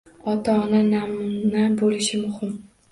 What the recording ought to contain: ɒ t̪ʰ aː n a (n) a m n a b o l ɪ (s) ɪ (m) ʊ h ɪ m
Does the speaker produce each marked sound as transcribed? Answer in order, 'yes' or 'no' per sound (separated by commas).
yes, no, yes